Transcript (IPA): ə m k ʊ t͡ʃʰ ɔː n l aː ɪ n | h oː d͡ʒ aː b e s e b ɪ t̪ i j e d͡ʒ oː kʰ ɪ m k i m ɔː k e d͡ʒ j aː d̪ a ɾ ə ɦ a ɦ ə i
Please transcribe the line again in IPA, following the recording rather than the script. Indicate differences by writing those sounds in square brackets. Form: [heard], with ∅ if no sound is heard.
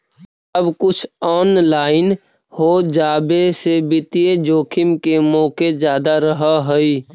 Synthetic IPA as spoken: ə [b] k ʊ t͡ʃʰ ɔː n l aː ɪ n | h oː d͡ʒ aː b e s e b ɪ t̪ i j e d͡ʒ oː kʰ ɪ m k [e] m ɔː k e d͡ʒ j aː d̪ a ɾ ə ɦ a ɦ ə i